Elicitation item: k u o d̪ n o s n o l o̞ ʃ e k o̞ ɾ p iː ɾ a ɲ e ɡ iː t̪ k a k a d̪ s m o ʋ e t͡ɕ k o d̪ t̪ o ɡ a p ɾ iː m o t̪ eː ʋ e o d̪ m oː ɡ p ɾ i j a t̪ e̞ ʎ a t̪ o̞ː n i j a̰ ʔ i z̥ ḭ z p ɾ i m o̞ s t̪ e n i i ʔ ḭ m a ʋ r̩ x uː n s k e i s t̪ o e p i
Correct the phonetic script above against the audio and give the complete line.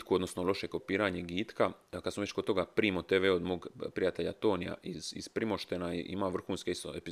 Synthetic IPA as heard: k u o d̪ n o s n o l o̞ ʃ e k o̞ p iː ɾ a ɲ e ɡ iː t̪ k a k a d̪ s m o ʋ e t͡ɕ k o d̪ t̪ o ɡ a p ɾ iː m o t̪ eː ʋ e o d̪ m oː ɡ p ɾ i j a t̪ e̞ ʎ a t̪ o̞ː n i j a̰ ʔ i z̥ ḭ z p ɾ i m o̞ ʃ t̪ e n a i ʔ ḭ m a ʋ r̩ x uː n s k e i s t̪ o e p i